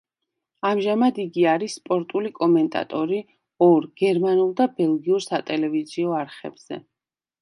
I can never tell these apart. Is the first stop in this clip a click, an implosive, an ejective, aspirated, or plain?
plain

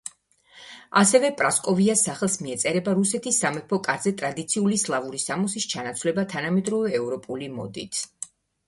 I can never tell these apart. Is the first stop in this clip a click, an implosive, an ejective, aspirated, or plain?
ejective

